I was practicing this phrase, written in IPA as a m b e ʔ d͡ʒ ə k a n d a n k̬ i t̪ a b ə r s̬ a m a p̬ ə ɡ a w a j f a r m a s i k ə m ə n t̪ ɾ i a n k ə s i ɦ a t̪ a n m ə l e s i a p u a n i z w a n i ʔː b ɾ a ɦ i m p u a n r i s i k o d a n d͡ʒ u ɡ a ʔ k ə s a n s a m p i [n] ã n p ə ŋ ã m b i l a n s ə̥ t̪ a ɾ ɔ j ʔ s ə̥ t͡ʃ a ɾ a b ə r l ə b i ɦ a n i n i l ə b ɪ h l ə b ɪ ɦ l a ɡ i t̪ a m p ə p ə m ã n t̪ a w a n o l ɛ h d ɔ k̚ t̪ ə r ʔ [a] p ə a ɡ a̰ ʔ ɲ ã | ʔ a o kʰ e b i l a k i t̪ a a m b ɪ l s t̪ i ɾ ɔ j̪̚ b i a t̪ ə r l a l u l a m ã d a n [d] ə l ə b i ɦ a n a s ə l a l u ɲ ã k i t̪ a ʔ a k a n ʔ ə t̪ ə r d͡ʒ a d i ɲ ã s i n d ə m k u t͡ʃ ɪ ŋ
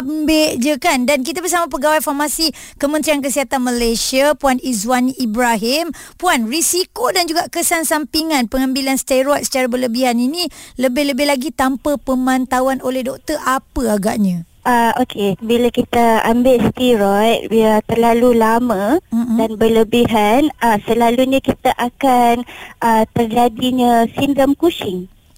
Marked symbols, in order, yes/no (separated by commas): no, yes, no